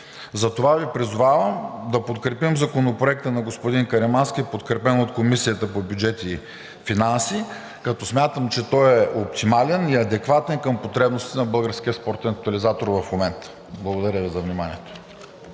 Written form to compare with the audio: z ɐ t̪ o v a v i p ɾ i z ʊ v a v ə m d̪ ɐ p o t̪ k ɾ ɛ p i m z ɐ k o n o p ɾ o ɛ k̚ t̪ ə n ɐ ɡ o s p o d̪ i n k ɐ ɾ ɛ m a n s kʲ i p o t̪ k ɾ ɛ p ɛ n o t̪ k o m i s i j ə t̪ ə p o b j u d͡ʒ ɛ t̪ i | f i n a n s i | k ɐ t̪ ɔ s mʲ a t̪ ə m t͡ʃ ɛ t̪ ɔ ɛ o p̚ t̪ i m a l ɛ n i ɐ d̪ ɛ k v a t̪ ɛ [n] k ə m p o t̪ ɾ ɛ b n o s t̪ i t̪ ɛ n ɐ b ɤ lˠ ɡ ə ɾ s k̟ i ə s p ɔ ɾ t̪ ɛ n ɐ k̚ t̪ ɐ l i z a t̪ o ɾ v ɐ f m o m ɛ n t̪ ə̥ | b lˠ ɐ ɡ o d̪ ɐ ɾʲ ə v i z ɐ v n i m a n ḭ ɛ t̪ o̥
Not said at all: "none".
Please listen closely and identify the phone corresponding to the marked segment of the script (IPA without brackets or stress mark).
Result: n